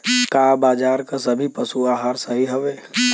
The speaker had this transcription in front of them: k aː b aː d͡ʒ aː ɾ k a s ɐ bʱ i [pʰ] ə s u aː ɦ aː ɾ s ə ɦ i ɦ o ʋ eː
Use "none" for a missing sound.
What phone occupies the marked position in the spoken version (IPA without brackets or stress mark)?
p